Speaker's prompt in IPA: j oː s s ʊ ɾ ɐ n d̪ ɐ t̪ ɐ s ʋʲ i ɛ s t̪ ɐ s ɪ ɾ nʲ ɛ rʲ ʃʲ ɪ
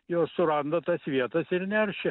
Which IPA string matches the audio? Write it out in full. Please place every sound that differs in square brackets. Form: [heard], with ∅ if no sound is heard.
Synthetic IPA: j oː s s ʊ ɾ ɐ n d̪ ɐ t̪ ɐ s ʋʲ i ɛ [∅] t̪ ɐ s ɪ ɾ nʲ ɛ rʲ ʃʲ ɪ